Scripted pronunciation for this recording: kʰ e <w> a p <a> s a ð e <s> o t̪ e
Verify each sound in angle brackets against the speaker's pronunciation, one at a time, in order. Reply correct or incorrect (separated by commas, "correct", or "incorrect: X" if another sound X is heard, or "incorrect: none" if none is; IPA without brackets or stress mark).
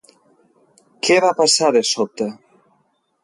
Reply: incorrect: β, correct, correct